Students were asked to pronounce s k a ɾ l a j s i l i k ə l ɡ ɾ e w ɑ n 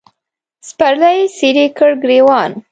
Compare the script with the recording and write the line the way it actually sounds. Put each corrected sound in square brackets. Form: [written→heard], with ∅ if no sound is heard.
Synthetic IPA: s [k→p] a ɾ l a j s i [l→ɾ] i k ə [l→ɽ] ɡ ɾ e w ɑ n

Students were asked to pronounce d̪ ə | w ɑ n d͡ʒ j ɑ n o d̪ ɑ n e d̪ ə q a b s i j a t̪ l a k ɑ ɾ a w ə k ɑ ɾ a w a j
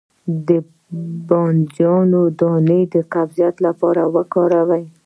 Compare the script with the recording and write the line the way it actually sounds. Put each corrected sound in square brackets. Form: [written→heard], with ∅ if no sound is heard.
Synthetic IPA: d̪ ə | [w→b] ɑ n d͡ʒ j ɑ n o d̪ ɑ n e d̪ ə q a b [s→z] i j a t̪ l a [k→p] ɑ ɾ a w ə k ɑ ɾ a w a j

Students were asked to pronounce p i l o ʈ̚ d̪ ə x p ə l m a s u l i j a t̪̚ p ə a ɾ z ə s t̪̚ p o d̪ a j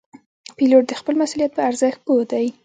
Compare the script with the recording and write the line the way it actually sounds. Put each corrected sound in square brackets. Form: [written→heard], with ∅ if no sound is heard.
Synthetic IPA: p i l o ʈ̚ d̪ ə x p ə l m a s u l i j a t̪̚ p ə a ɾ z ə [s→x] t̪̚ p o d̪ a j

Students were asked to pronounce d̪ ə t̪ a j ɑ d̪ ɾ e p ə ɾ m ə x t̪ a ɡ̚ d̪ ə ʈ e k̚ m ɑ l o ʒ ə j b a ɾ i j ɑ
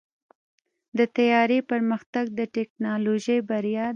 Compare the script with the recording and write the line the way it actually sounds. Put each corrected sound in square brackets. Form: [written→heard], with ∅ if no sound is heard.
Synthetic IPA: d̪ ə t̪ a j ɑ [d̪→∅] ɾ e p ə ɾ m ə x t̪ a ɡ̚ d̪ ə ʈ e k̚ [m→n] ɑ l o ʒ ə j b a ɾ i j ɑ

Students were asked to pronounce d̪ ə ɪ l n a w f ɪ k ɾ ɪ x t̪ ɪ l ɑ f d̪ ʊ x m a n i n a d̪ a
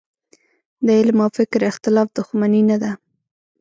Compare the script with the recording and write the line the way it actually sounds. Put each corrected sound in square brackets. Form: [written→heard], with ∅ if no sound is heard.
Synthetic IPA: d̪ ə ɪ l [n→m] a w f ɪ k ɾ ɪ x t̪ ɪ l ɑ f d̪ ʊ x m a n i n a d̪ a

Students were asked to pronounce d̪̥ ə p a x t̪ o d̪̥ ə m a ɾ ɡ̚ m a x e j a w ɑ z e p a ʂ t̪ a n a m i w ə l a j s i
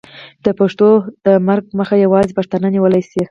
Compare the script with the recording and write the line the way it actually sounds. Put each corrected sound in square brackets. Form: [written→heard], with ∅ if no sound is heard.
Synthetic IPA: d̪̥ ə p a [x→ʂ] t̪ o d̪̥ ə m a ɾ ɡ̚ m [a→ə] x [e→a] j a w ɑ z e p a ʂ t̪ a n a [m→n] i w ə l a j s i

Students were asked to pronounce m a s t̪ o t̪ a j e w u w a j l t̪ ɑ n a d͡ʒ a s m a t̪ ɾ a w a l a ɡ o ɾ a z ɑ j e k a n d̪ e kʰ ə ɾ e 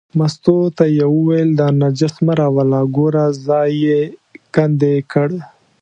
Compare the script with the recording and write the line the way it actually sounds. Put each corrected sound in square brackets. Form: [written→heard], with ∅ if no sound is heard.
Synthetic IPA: m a s t̪ o t̪ a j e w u w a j l [t̪→d̪] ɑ n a d͡ʒ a s m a [t̪→∅] ɾ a w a l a ɡ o ɾ a z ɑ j e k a n d̪ e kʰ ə [ɾ→ɽ] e

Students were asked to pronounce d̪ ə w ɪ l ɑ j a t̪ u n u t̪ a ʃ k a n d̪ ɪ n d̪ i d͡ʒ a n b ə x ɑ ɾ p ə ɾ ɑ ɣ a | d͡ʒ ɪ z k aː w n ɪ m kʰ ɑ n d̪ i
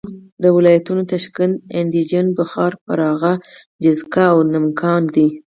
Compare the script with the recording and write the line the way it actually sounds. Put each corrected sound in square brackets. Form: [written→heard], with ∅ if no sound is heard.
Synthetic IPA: d̪ ə w ɪ l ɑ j a t̪ u n [u→o] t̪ a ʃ k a n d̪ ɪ n d̪ i d͡ʒ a n b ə x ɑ ɾ p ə ɾ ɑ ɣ a | d͡ʒ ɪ z k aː w n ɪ m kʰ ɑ n d̪ i

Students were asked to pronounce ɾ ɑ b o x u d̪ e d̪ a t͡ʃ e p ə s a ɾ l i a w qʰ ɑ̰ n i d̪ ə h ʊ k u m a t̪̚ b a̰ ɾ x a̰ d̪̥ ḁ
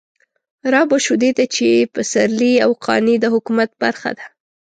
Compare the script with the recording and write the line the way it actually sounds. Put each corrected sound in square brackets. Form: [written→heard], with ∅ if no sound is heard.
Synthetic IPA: ɾ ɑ b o [x→ʃ] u d̪ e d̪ a t͡ʃ e p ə s a ɾ l i a w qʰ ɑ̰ n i d̪ ə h ʊ k u m a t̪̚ b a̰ ɾ x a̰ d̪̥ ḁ

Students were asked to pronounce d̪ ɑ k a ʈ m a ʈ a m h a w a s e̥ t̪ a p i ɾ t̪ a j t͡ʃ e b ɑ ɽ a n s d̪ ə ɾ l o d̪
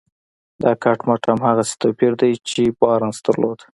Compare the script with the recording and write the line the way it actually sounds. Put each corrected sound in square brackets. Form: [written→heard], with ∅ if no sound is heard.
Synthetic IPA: d̪ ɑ k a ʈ m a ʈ a m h a [w→ɣ] a s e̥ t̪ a p i ɾ [t̪→d̪] a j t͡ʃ e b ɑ [ɽ→ɾ] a n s d̪ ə ɾ l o d̪

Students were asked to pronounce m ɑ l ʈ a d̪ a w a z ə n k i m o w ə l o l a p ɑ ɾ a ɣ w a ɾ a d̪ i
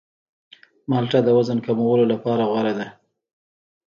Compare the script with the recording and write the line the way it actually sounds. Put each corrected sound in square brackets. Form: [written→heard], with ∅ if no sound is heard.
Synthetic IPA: m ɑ l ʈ a d̪ [a→ə] w a z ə n k [i→a] m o w ə l o l a p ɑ ɾ a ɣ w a ɾ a d̪ [i→a]

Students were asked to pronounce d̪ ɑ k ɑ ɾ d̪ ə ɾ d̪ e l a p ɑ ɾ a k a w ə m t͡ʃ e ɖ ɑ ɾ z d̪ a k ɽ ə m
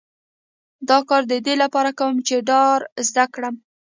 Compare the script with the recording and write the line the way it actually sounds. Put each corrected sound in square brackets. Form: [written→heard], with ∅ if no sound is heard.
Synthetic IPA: d̪ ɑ k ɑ ɾ d̪ ə [ɾ→∅] d̪ e l a p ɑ ɾ a k a w ə m t͡ʃ e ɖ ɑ ɾ z d̪ a k ɽ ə m

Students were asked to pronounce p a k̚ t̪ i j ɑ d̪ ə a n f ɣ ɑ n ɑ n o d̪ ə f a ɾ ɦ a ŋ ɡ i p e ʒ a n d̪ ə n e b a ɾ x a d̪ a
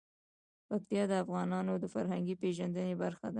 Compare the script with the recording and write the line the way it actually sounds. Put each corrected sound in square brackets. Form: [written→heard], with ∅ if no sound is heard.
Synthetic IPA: p a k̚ t̪ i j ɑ d̪ ə a [n→∅] f ɣ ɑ n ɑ n o d̪ ə f a ɾ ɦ a ŋ ɡ i p e ʒ a n d̪ ə n e b a ɾ x a d̪ a

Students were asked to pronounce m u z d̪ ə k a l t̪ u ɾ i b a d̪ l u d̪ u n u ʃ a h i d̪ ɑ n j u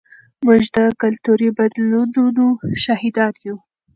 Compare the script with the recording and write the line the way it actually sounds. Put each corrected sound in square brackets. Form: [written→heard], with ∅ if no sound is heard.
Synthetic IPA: m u [z→ʒ] d̪ ə k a l t̪ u ɾ i b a d̪ l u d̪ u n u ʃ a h i d̪ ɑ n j u

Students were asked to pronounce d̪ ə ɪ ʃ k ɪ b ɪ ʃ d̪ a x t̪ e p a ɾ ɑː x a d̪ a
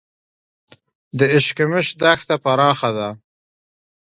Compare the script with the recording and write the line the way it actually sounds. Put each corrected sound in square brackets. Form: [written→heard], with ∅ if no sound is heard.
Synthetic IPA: d̪ ə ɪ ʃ k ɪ [b→m] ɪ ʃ d̪ a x t̪ [e→a] p a ɾ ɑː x a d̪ a

